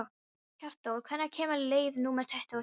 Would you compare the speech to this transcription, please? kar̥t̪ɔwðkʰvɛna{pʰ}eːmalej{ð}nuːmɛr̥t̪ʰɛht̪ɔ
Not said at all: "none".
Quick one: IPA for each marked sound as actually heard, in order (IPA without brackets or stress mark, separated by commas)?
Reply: kʰ, ð